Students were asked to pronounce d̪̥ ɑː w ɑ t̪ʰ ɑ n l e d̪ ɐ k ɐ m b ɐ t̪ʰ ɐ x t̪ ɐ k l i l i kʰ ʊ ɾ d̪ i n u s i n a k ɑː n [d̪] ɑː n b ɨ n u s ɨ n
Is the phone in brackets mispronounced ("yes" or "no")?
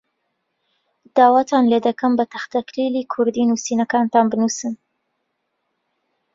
yes